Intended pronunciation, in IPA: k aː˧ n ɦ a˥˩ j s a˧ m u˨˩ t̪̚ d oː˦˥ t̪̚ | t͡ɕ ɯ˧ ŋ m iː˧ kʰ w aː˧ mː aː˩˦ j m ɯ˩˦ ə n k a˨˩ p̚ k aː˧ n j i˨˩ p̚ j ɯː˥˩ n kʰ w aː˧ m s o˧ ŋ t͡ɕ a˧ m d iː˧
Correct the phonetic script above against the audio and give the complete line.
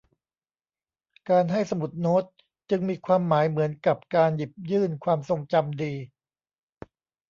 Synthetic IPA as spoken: k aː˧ n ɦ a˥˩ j s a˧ m u˨˩ t̪̚ n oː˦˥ t̪̚ | t͡ɕ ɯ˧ ŋ m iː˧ kʰ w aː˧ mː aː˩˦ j m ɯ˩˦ ə n k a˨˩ p̚ k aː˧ n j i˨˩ p̚ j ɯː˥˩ n kʰ w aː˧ m s o˧ ŋ t͡ɕ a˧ m d iː˧